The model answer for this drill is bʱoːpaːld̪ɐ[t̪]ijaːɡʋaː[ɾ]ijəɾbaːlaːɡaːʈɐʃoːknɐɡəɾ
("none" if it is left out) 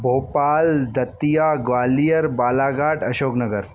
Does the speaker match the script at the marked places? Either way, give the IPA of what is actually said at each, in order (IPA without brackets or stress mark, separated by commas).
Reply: t̪, l